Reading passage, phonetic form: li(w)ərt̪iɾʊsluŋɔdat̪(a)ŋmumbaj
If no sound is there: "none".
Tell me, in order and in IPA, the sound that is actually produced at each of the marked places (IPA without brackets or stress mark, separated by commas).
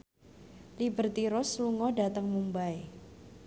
b, ə